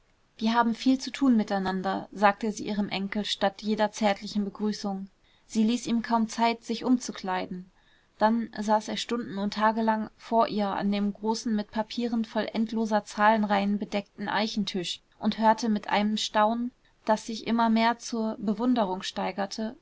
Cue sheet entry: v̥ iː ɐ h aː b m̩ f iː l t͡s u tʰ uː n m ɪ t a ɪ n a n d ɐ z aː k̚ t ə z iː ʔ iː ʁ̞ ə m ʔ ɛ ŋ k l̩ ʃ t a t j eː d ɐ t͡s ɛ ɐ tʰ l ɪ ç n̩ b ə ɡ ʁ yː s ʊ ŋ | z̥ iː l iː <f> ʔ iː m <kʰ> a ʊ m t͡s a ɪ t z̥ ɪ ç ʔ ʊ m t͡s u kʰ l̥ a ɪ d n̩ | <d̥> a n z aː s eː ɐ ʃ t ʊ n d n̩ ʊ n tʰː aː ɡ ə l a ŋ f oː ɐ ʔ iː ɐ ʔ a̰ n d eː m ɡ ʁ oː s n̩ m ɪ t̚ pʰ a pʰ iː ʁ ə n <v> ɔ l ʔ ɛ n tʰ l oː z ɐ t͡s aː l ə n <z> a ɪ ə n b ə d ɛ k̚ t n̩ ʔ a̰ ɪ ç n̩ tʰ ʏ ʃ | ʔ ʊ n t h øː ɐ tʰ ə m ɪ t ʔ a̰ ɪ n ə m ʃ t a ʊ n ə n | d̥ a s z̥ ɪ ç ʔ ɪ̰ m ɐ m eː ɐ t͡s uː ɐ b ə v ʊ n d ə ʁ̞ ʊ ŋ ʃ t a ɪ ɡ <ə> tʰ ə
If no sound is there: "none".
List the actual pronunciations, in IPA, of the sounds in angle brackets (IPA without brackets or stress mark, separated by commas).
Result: s, kʰ, d̥, f, ʁ, ɐ